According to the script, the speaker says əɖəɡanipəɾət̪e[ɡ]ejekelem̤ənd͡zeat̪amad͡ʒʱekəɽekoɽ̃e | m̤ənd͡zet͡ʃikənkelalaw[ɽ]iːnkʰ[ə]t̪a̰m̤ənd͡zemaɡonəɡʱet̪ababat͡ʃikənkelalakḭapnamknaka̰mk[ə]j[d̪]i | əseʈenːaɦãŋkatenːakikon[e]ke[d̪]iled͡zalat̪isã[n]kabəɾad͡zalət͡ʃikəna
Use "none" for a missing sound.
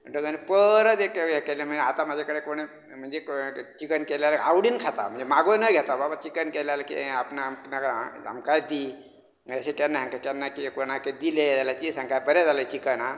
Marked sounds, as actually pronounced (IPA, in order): k, ɽ, a, a, d̪, a, d̪, ŋ

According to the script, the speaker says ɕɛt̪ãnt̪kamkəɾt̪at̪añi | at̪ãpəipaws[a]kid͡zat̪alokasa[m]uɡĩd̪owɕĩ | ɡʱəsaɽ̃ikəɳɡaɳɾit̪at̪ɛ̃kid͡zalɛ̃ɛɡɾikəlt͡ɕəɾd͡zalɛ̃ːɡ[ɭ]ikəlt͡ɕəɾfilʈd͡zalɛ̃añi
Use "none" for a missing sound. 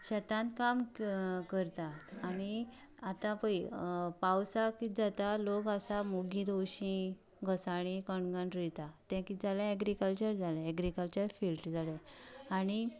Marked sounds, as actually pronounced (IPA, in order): a, m, ɾ

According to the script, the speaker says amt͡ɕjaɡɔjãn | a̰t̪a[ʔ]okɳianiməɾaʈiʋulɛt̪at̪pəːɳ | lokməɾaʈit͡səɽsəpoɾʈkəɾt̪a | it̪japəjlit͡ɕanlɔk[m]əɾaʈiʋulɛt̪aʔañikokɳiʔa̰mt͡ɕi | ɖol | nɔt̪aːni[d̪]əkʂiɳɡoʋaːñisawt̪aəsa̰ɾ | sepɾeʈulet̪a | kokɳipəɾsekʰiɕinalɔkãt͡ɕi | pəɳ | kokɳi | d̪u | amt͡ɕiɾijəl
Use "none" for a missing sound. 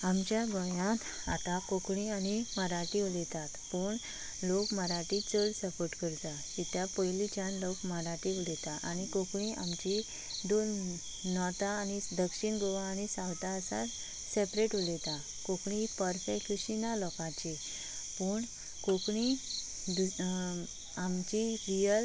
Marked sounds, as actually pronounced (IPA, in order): k, m, d̪

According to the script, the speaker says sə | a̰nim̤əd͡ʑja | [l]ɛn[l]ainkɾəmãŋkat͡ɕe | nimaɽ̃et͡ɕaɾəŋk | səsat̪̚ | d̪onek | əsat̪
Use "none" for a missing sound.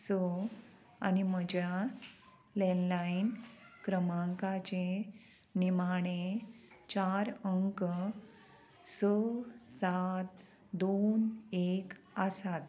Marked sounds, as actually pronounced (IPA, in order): l, l

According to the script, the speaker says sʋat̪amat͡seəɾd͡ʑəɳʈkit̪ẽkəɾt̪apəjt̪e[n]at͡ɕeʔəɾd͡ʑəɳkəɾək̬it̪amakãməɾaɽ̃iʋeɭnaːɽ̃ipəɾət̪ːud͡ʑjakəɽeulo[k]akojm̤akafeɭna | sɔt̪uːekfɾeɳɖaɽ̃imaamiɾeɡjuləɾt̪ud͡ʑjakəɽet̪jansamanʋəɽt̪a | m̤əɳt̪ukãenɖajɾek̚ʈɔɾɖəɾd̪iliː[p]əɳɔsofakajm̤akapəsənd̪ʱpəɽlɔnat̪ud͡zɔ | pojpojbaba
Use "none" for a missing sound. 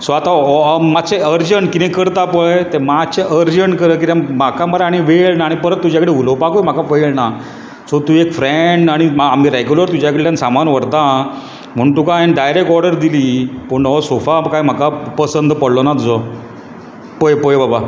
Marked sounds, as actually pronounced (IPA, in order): m, p, p

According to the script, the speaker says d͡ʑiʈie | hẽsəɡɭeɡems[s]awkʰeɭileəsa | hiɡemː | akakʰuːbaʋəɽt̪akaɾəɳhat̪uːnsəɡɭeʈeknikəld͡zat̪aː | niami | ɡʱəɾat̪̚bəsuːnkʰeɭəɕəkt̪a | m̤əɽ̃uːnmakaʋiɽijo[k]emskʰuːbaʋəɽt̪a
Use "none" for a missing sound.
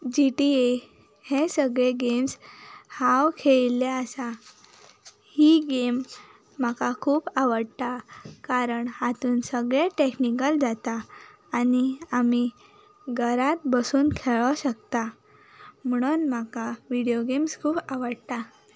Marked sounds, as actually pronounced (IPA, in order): h, ɡ

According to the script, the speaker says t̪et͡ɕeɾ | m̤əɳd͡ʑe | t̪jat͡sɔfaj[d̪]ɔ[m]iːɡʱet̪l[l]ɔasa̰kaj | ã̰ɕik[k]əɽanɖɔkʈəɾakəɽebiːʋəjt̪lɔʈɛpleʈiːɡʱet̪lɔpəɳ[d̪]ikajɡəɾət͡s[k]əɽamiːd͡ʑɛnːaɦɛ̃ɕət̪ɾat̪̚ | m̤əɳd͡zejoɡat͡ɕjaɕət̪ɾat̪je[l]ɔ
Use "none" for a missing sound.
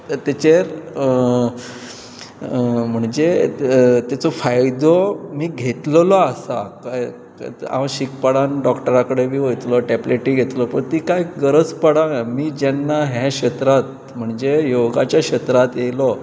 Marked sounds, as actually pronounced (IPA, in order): d̪, m, l, p, t̪, p, l

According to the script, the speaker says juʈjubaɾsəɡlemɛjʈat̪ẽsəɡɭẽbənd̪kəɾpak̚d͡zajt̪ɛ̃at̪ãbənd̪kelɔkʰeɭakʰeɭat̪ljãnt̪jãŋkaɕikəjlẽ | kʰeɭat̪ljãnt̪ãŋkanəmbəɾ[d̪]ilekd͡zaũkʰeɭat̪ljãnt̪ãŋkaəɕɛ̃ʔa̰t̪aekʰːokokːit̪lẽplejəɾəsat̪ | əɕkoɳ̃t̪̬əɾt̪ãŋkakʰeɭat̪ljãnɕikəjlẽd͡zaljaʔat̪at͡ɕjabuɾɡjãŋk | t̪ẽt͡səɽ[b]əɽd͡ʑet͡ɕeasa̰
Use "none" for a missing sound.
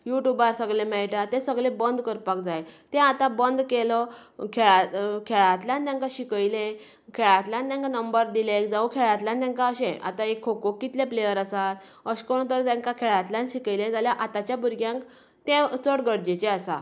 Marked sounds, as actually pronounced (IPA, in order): d̪, ɡ

